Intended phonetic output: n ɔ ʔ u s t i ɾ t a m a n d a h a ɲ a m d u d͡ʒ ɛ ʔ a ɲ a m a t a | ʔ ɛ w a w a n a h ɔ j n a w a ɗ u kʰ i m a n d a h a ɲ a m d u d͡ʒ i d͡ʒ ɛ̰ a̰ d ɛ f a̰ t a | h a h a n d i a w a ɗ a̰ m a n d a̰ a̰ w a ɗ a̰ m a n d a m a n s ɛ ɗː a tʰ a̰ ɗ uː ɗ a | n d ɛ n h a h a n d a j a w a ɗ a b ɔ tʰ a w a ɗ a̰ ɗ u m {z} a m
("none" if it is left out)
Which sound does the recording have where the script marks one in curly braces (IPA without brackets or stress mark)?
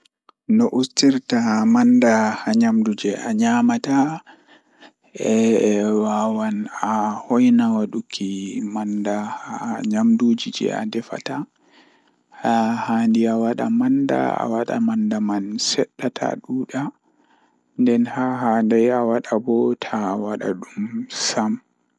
s